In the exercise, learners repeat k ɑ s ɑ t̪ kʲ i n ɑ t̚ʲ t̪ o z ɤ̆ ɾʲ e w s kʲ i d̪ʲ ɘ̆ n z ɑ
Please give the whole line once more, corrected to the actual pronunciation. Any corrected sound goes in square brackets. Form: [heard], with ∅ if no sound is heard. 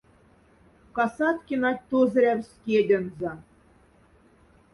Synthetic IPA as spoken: k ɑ s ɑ t̪ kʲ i n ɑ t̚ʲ t̪ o z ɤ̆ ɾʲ [æ] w s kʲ [e] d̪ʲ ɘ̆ n z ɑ